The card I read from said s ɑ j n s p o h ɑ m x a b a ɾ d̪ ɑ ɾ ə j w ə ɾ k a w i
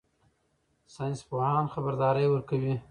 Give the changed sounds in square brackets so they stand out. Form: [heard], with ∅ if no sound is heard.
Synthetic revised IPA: s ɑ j n s p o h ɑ [n] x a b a ɾ d̪ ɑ ɾ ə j w ə ɾ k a w i